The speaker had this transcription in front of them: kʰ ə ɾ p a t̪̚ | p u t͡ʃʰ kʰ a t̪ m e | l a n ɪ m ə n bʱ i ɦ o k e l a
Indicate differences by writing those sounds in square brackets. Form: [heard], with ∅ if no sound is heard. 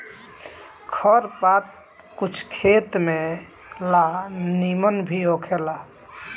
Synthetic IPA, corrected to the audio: kʰ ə ɾ p a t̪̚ | [k] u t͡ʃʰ kʰ [e] t̪ m e | l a n [i] m ə n bʱ i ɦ o [kʰ] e l a